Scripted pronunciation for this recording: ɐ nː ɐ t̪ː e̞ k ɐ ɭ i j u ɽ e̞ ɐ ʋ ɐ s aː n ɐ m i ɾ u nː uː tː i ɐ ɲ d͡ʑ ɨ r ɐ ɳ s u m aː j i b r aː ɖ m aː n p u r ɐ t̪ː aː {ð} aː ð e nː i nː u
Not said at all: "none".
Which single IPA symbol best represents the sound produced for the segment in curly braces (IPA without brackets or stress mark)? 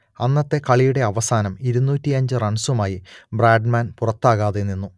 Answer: ɣ